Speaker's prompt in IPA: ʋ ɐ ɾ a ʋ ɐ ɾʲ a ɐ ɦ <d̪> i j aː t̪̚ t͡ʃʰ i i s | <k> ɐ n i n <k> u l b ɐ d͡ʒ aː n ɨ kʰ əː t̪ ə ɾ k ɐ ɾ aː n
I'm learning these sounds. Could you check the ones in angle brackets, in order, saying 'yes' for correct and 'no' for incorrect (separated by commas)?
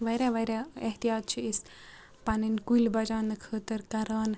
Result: no, no, yes